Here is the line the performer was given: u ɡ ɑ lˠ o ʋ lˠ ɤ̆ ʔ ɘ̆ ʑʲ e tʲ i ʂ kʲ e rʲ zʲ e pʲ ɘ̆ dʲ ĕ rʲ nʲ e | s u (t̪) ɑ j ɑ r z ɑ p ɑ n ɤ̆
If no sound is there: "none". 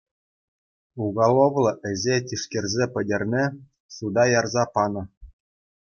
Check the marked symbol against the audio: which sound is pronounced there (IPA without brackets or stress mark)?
d̪